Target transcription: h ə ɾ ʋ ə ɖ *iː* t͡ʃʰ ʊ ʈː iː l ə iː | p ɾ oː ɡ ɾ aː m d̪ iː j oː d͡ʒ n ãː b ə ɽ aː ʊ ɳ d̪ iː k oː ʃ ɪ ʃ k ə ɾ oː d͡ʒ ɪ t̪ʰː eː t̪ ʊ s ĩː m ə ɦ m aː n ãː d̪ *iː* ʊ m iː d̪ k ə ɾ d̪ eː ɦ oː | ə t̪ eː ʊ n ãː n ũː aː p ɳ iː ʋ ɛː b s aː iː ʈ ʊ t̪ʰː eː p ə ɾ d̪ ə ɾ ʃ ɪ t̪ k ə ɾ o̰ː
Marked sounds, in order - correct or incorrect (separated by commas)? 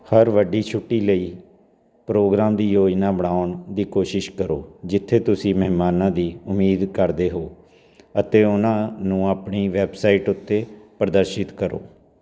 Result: correct, correct